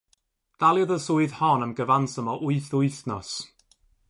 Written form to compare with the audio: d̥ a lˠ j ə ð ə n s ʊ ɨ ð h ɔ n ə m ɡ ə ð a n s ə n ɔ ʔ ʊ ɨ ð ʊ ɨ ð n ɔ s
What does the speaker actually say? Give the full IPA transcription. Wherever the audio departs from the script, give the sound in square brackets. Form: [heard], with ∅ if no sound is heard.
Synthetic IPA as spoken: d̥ a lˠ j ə ð ə [∅] s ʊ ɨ ð h ɔ n ə m ɡ ə [v] a n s ə [m] ɔ ʔ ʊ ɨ [θ] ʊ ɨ [θ] n ɔ s